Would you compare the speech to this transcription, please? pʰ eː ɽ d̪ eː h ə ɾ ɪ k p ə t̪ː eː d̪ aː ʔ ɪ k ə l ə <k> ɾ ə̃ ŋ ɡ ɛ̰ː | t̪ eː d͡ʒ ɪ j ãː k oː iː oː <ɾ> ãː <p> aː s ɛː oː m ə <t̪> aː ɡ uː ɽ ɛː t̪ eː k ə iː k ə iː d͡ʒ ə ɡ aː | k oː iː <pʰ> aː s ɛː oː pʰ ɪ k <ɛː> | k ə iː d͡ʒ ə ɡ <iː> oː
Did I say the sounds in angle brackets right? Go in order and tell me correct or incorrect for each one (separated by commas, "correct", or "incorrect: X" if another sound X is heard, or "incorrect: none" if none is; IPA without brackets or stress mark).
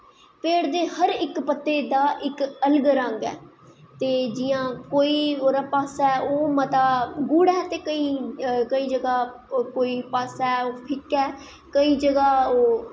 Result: incorrect: ɡ, correct, correct, correct, incorrect: p, correct, incorrect: aː